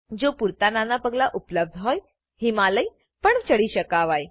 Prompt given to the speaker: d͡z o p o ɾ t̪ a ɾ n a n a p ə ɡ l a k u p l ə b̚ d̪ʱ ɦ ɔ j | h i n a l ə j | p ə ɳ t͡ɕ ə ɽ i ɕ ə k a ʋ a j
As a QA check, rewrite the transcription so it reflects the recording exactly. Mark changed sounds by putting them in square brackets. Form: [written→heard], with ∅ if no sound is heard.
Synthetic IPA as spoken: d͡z o p [o→u] ɾ t̪ a [ɾ→∅] n a n a p ə ɡ l a [k→ʔ] u p l ə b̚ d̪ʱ ɦ ɔ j | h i [n→m] a l ə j | p ə ɳ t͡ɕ ə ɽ i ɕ ə k a ʋ a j